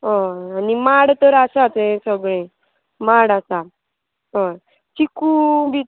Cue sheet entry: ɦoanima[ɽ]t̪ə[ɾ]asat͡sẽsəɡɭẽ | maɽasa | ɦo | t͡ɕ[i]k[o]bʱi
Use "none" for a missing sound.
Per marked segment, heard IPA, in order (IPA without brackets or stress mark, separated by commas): ɽ, ɾ, i, u